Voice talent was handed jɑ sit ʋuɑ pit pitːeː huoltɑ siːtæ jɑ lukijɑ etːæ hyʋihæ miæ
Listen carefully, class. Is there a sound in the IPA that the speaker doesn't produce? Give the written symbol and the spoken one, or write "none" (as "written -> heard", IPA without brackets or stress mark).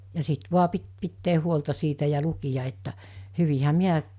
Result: none